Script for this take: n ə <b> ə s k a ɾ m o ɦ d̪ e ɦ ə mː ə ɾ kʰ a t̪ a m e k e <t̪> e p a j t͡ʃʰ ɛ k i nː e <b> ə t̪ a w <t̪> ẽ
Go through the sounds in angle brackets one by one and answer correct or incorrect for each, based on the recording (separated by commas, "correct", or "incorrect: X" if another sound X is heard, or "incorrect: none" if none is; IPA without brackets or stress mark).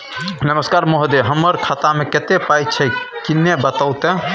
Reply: incorrect: m, correct, correct, correct